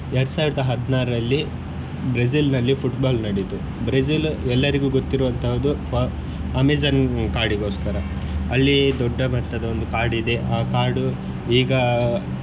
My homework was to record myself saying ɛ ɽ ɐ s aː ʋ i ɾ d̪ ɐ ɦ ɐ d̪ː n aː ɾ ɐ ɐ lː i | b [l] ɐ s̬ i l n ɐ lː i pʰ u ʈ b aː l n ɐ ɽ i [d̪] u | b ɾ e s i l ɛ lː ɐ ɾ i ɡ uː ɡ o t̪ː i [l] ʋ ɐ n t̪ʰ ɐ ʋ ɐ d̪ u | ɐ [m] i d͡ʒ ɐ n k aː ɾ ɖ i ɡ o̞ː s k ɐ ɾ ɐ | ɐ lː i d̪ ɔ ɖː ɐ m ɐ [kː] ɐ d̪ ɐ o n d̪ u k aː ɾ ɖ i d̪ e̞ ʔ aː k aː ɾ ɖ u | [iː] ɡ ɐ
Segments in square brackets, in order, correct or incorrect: incorrect: ɾ, incorrect: t̪, incorrect: ɾ, correct, incorrect: ʈː, correct

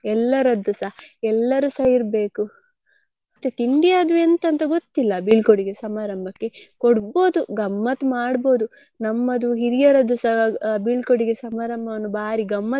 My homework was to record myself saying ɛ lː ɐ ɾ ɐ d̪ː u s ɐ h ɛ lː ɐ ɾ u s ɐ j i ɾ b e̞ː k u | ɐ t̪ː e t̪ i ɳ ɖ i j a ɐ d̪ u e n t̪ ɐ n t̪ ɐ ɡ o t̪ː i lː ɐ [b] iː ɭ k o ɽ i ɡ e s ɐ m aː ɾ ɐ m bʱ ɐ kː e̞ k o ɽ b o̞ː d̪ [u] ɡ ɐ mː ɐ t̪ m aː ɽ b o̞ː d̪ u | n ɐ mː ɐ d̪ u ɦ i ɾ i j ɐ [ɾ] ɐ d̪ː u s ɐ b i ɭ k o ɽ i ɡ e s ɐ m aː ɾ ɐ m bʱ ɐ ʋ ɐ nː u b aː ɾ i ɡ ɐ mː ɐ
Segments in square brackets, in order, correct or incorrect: correct, correct, correct

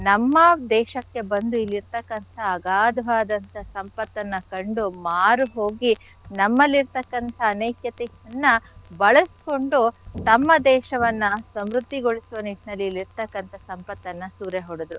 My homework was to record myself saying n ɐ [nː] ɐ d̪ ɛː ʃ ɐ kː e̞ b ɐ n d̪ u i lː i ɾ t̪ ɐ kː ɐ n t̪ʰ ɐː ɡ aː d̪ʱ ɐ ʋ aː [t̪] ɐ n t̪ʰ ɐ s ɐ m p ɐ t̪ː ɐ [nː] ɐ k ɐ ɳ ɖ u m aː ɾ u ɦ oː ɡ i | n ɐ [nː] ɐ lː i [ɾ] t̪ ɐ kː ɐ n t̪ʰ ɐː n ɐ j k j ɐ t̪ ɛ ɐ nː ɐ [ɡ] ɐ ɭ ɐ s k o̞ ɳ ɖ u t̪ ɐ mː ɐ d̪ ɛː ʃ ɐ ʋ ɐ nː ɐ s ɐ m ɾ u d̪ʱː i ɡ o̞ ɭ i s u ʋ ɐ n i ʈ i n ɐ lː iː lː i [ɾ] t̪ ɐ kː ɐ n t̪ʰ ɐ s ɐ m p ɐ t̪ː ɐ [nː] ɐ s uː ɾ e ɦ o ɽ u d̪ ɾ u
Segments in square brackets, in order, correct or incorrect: incorrect: mː, incorrect: d̪, correct, incorrect: mː, correct, incorrect: b, correct, correct

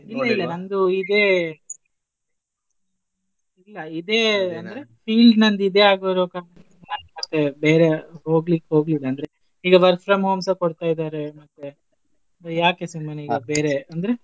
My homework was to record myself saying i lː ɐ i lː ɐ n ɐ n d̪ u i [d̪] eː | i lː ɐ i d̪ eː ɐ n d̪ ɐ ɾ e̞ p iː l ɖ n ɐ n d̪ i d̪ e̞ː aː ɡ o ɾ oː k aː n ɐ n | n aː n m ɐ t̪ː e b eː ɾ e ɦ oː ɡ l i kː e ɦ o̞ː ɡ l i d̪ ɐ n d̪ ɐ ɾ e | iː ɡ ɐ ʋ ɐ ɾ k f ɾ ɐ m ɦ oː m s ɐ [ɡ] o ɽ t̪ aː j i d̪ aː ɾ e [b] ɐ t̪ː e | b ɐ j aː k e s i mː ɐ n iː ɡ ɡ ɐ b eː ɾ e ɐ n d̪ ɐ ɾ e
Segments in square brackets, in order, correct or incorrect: correct, incorrect: k, incorrect: m

